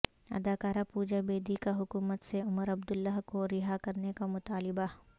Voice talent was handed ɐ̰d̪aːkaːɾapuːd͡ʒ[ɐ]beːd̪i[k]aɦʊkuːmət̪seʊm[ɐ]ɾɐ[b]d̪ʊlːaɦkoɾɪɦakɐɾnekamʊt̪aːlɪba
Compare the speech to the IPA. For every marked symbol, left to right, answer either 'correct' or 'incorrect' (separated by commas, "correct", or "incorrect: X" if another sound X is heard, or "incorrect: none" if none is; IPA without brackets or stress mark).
incorrect: a, correct, incorrect: ə, correct